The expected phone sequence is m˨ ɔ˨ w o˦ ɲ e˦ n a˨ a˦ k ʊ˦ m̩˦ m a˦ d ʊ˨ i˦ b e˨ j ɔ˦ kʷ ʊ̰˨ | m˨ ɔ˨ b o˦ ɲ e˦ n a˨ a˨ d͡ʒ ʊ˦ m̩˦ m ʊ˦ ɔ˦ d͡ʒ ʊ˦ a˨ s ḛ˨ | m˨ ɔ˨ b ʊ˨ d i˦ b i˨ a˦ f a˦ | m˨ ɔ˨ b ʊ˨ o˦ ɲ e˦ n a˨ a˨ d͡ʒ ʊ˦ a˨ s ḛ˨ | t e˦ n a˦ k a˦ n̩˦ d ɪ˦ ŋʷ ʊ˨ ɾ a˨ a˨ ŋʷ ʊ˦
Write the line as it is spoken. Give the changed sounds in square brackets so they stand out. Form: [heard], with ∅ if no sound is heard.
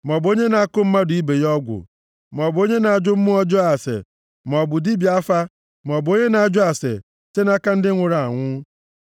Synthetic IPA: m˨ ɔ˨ [b] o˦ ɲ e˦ n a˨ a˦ k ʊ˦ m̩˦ m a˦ d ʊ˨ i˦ b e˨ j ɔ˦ [ɡʷ] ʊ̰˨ | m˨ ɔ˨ b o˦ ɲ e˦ n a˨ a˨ d͡ʒ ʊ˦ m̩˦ m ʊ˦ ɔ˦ d͡ʒ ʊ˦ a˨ s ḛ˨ | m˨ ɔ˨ b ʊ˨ d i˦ b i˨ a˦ f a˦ | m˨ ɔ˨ b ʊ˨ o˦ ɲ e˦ n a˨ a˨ d͡ʒ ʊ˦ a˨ s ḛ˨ | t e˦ n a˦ k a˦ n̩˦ d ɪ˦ ŋʷ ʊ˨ ɾ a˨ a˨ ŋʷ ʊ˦